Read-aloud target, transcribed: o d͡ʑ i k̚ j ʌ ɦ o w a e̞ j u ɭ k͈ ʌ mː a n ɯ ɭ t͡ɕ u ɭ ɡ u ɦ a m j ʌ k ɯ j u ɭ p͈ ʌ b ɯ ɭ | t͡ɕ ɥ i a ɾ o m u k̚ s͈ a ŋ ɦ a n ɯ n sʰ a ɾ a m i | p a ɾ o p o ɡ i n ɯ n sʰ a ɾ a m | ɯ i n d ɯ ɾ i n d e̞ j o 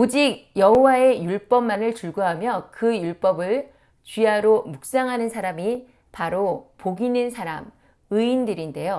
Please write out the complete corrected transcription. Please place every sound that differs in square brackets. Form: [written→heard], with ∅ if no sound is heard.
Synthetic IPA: o d͡ʑ i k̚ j ʌ ɦ o w a e̞ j u ɭ [k͈→p͈] ʌ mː a n ɯ ɭ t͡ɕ u ɭ ɡ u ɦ a m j ʌ k ɯ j u ɭ p͈ ʌ b ɯ ɭ | t͡ɕ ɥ i a ɾ o m u k̚ s͈ a ŋ ɦ a n ɯ n sʰ a ɾ a m i | p a ɾ o p o ɡ i n ɯ n sʰ a ɾ a m | ɯ i n d ɯ ɾ i n d e̞ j o